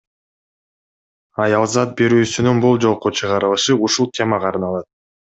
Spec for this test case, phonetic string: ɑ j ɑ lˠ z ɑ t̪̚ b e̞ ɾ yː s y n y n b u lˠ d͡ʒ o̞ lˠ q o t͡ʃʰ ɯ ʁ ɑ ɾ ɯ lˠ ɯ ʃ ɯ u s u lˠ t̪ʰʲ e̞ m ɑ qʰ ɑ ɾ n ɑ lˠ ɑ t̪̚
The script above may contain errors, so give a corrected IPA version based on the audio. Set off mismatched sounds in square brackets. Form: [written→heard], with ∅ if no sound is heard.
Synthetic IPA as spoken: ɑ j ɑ lˠ z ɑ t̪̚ b e̞ ɾ yː s y n y n b u lˠ d͡ʒ o̞ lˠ q o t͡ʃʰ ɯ ʁ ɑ ɾ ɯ lˠ ɯ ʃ ɯ u [s→ʃ] u lˠ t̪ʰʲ e̞ m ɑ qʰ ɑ ɾ n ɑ lˠ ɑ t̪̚